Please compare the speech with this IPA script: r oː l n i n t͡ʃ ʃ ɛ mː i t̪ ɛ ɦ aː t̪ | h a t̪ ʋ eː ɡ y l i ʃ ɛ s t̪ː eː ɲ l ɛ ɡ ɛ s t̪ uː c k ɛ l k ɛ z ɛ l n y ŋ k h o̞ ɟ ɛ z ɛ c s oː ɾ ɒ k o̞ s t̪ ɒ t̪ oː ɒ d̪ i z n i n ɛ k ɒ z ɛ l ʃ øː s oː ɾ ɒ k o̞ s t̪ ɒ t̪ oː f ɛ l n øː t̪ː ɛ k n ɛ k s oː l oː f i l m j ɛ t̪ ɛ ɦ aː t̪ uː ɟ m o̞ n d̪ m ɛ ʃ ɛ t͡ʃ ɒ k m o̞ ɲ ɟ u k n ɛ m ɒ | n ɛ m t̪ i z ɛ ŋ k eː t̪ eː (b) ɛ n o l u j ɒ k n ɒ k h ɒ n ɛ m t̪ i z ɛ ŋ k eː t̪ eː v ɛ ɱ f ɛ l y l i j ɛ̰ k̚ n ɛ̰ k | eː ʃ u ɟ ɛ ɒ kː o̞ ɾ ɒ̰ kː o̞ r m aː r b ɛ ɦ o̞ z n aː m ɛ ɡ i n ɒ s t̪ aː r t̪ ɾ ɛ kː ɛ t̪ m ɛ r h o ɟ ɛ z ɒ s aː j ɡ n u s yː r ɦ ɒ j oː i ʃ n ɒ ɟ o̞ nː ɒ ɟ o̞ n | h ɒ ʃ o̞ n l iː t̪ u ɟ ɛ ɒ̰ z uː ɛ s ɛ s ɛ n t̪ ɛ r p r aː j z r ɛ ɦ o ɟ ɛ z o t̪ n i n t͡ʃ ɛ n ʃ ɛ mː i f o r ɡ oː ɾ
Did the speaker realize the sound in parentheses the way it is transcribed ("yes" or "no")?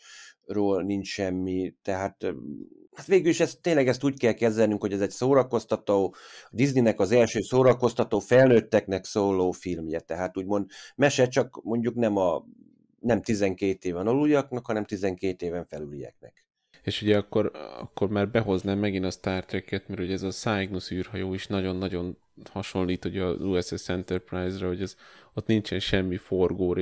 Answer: no